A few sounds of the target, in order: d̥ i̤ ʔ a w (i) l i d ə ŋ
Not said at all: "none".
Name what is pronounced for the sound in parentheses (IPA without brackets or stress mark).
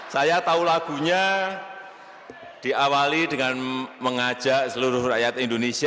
a